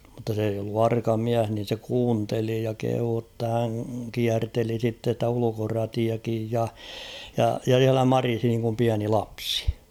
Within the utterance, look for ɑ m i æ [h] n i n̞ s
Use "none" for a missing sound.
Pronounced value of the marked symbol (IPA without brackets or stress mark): h